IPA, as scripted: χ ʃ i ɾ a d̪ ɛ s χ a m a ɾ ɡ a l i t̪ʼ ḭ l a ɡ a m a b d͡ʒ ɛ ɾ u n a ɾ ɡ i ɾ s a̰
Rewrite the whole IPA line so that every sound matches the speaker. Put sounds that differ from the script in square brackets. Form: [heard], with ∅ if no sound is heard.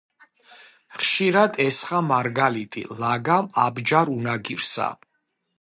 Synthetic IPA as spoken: χ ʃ i ɾ a d̪ ɛ s χ a m a ɾ ɡ a l i t̪ʼ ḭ l a ɡ a m a b d͡ʒ [a] ɾ u n a [∅] ɡ i ɾ s a̰